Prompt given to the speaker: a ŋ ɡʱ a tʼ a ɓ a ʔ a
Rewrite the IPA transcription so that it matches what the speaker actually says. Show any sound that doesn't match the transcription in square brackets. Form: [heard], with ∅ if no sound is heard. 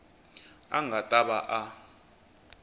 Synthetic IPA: a ŋ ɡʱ a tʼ a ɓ a ʔ a